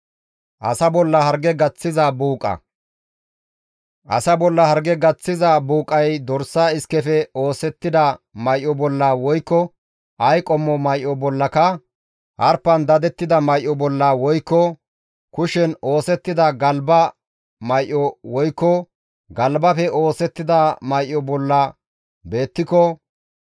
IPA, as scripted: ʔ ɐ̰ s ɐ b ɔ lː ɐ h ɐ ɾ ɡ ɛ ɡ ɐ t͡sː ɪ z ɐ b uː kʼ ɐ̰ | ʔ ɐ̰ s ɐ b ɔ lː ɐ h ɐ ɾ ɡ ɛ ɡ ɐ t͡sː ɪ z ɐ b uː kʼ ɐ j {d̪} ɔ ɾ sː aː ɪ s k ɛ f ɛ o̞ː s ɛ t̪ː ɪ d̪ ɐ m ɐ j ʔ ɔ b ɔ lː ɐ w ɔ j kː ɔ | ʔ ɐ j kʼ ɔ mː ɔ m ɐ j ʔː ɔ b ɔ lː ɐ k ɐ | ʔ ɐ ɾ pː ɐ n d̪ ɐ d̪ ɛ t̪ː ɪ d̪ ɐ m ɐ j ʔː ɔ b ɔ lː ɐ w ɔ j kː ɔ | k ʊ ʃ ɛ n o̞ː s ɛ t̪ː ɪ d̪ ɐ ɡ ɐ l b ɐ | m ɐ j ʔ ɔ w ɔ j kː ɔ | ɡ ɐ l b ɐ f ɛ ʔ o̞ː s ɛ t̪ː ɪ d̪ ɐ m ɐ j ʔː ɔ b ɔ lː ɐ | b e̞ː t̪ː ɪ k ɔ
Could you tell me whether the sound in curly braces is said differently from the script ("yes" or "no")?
no